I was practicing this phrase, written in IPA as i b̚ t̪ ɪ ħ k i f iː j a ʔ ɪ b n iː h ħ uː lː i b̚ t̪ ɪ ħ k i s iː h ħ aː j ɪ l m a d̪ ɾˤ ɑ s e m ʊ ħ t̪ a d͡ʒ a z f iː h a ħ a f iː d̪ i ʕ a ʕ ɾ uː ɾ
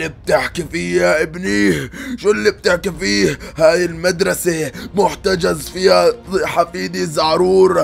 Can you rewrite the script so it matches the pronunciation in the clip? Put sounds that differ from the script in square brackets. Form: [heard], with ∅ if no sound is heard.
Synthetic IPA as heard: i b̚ t̪ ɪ ħ k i f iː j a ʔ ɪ b n iː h [ʃ] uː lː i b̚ t̪ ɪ ħ k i [f] iː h [h] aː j ɪ l m a d̪ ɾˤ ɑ s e m ʊ ħ t̪ a d͡ʒ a z f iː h a ħ a f iː d̪ i [z] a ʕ ɾ uː ɾ

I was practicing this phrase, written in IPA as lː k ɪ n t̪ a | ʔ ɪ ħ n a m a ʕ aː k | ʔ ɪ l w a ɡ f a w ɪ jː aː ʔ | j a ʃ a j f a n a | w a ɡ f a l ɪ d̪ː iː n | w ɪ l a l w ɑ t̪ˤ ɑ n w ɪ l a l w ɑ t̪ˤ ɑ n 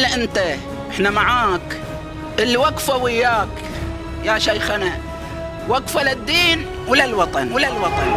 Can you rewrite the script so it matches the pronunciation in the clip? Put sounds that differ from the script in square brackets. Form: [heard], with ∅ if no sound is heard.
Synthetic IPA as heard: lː [ʔ] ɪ n t̪ a | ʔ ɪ ħ n a m a ʕ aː k | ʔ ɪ l w a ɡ f a w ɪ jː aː [k] | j a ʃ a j [x] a n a | w a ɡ f a l ɪ d̪ː iː n | w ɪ l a l w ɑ t̪ˤ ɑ n w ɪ l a l w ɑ t̪ˤ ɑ n

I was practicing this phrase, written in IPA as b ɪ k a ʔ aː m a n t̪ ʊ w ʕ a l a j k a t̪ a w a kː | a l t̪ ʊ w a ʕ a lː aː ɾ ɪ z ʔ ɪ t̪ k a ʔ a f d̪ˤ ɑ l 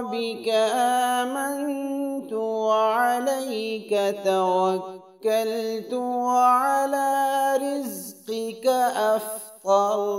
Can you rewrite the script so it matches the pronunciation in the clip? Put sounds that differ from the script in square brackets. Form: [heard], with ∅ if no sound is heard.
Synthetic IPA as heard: b ɪ k a ʔ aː m a n t̪ ʊ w ʕ a l a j k a t̪ a w a kː | a l t̪ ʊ w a ʕ a [l] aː ɾ ɪ z [q] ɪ [∅] k a ʔ a f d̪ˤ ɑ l

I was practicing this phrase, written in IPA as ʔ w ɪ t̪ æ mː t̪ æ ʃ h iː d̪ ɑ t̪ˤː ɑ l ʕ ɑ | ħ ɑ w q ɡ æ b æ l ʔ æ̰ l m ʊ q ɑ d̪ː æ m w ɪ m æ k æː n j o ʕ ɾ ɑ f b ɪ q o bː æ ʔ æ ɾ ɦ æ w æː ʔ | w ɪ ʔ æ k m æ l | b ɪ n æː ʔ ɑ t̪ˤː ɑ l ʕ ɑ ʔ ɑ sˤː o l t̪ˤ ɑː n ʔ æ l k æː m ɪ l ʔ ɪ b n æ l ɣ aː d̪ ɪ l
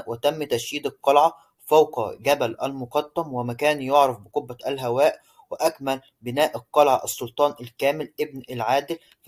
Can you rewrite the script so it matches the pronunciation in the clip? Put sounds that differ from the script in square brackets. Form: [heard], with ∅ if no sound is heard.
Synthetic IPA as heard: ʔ w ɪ t̪ æ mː t̪ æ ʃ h iː d̪ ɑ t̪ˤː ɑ l ʕ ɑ | [f] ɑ w q ɡ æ b æ l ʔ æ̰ l m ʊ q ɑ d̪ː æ m w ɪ m æ k æː n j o ʕ ɾ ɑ f b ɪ q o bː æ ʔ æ [l] ɦ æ w æː ʔ | w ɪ ʔ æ k m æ l | b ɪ n æː ʔ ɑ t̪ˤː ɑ l ʕ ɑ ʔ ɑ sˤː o l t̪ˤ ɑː n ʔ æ l k æː m ɪ l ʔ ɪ b n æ l [ʕ] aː d̪ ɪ l

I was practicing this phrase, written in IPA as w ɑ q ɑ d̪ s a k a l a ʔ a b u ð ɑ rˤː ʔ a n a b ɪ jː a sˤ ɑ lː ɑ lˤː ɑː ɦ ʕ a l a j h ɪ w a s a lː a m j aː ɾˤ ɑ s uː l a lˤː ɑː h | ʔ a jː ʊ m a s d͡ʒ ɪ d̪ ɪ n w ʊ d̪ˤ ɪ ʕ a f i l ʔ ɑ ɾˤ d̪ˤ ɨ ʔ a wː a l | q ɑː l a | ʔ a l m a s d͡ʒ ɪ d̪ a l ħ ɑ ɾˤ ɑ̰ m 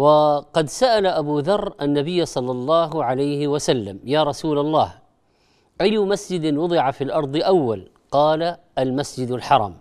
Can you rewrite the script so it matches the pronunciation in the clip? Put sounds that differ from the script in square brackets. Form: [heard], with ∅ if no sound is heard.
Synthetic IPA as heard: w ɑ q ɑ d̪ s a [ʔ] a l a ʔ a b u ð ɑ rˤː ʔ a [nː] a b ɪ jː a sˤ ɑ lː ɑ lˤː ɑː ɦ ʕ a l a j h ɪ w a s a lː a m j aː ɾˤ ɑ s uː l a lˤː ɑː h | ʔ a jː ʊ m a s d͡ʒ ɪ d̪ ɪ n w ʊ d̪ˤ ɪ ʕ a f i l ʔ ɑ ɾˤ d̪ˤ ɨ ʔ a wː a l | q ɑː l a | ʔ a l m a s d͡ʒ ɪ d̪ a l ħ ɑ ɾˤ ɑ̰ m

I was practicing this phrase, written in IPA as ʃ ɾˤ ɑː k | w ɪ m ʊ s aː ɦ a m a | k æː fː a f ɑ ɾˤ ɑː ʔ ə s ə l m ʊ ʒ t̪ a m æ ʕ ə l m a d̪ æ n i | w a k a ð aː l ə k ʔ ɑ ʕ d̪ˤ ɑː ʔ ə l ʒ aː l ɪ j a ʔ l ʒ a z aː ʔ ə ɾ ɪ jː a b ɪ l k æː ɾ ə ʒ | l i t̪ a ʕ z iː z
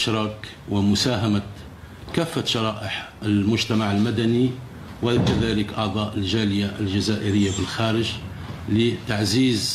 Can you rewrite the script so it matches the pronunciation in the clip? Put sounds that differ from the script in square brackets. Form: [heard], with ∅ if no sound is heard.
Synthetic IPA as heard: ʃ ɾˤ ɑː k | w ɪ m ʊ s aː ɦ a m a | k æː fː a [ʃ] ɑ ɾˤ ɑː ʔ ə [ħ] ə l m ʊ ʒ t̪ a m [a] ʕ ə l m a d̪ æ n i | w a k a ð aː l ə k ʔ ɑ ʕ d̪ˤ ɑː ʔ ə l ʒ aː l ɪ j a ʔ l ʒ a z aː ʔ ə ɾ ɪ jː a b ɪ l [x] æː ɾ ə ʒ | l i t̪ a ʕ z iː z

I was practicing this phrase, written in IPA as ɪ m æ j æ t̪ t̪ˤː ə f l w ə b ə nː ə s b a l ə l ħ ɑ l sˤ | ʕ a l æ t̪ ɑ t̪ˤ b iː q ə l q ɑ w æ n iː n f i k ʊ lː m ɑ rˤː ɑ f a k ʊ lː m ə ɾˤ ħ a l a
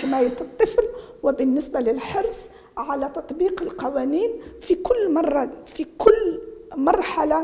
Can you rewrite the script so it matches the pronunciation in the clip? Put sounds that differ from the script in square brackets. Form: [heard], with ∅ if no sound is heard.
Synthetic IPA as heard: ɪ m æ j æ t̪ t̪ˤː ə f l w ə b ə nː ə s b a l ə l ħ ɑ [ɾ] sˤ | ʕ a l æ t̪ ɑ t̪ˤ b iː q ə l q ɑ w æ n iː n f i k ʊ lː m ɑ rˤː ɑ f [i] k ʊ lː m [ɑ] ɾˤ ħ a l a

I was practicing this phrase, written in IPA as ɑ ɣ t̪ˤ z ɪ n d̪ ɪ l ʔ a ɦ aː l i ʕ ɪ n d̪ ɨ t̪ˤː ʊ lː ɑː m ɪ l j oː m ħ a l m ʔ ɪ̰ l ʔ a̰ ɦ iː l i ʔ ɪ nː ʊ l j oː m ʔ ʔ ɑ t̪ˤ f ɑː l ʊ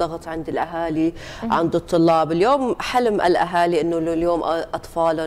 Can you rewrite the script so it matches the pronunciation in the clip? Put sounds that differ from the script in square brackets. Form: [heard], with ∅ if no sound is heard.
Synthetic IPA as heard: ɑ ɣ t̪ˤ [ʕ] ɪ n d̪ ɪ l ʔ a ɦ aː l i ʕ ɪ n d̪ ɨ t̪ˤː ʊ lː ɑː [b] ɪ l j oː m ħ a l m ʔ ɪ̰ l ʔ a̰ ɦ [aː] l i ʔ ɪ nː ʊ l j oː m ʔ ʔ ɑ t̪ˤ f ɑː l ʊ

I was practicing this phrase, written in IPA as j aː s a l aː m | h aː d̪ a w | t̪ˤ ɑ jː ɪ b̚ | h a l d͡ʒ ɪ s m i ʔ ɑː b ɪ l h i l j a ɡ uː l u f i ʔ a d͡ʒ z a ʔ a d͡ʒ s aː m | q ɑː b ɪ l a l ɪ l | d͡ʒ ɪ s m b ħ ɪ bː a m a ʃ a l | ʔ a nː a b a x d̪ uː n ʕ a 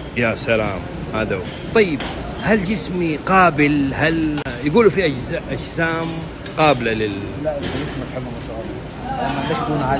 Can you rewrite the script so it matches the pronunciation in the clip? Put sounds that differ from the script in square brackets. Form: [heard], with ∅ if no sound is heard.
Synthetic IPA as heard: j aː s a l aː m | h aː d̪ a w | t̪ˤ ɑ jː ɪ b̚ | h a l d͡ʒ ɪ s m i [q] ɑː b ɪ l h [a] l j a ɡ uː l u f i ʔ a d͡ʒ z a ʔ a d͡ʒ s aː m | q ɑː b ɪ l a l ɪ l | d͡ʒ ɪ s m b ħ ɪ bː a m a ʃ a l | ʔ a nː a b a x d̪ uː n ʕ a

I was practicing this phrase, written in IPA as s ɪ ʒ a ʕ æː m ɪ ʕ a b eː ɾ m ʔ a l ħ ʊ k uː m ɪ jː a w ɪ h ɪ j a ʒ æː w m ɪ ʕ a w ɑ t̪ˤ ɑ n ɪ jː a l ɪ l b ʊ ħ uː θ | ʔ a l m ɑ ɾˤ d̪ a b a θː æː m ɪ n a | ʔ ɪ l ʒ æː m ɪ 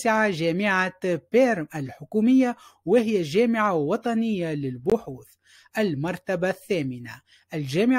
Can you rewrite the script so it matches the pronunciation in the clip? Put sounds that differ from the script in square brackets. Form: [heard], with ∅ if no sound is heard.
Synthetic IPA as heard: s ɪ [ʕ] a [ʒ] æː m ɪ ʕ a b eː ɾ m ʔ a l ħ ʊ k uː m ɪ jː a w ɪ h ɪ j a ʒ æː [∅] m ɪ ʕ a w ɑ t̪ˤ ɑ n ɪ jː a l ɪ l b ʊ ħ uː θ | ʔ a l m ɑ ɾˤ [t̪] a b a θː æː m ɪ n a | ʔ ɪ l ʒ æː m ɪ

